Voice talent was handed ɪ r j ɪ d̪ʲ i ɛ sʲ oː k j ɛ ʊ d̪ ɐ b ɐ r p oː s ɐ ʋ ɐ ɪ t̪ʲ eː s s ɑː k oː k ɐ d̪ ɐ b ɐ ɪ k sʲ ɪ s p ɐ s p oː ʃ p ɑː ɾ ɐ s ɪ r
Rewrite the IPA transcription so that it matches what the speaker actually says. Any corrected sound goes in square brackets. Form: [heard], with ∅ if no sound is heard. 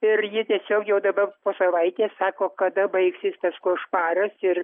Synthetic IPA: ɪ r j ɪ [t̪ʲ] i ɛ sʲ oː k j ɛ ʊ d̪ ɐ b ɐ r p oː s ɐ ʋ ɐ ɪ t̪ʲ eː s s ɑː k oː k ɐ d̪ ɐ b ɐ ɪ k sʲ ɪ s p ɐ s [k] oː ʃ p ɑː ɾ ɐ s ɪ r